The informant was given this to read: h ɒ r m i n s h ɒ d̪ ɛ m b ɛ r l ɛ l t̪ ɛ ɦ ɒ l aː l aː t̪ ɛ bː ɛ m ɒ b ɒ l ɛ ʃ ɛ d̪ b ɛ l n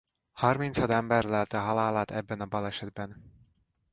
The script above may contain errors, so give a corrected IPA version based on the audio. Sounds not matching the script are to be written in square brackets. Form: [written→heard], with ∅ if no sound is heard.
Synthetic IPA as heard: h ɒ r m i n s h ɒ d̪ ɛ m b ɛ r l ɛ l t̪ ɛ ɦ ɒ l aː l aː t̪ ɛ bː ɛ [m→n] ɒ b ɒ l ɛ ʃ ɛ d̪ b ɛ [l→∅] n